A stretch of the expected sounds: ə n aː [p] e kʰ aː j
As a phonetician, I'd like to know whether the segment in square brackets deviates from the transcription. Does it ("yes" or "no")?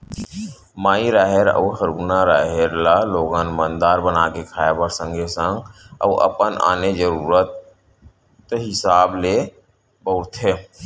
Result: yes